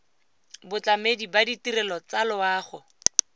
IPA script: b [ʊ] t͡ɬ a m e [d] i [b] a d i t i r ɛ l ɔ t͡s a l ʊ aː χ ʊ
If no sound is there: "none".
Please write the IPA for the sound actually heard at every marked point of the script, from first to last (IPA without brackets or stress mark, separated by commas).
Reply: ʊ, d, b